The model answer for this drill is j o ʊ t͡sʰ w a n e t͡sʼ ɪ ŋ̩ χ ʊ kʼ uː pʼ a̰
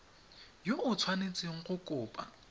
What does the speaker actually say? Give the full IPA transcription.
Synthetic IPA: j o ʊ t͡sʰ w a n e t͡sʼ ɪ ŋ̩ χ ʊ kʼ ʊː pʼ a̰